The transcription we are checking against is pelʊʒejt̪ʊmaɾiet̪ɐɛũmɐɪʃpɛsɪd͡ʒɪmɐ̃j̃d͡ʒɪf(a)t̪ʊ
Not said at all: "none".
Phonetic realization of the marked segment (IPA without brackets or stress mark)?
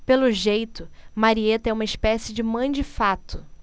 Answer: a